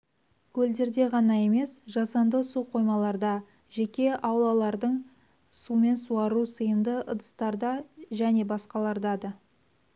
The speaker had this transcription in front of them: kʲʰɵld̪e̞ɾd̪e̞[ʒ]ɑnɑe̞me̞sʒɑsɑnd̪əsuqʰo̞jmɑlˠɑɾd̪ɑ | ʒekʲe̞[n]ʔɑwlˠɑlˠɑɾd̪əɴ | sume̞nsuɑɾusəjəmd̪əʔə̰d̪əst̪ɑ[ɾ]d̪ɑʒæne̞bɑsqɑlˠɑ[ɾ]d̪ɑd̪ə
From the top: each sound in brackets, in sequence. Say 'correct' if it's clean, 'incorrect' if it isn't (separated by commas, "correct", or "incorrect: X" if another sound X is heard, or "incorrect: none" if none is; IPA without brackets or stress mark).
incorrect: ʁ, incorrect: none, correct, correct